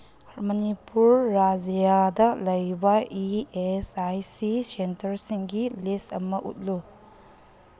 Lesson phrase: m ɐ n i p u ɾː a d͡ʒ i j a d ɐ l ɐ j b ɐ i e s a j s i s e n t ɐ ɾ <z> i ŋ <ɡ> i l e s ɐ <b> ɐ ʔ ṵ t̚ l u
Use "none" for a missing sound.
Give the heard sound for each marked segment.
s, ɡ, m

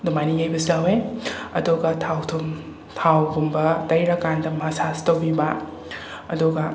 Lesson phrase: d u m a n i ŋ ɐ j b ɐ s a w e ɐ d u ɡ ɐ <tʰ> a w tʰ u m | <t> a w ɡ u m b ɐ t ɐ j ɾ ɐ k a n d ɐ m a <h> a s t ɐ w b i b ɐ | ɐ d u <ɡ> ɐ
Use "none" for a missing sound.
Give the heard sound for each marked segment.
tʰ, tʰ, s, ɡ

